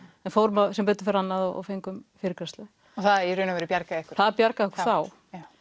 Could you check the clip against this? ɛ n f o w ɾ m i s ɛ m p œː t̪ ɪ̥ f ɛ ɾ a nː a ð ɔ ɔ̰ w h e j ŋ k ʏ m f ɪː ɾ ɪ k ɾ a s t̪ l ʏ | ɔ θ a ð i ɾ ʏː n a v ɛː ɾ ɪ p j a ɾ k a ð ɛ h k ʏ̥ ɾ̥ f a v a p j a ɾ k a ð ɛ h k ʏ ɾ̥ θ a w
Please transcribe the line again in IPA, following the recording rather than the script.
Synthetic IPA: ɛ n f o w ɾ m a s ɛ m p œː t̪ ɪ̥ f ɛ ɾ a nː a ð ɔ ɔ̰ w f e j ŋ k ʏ m f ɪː ɾ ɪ k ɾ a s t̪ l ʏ | ɔ θ a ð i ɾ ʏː n a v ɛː ɾ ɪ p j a ɾ k a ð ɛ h k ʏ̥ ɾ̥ θ a ð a p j a ɾ k a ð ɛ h k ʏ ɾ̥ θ a w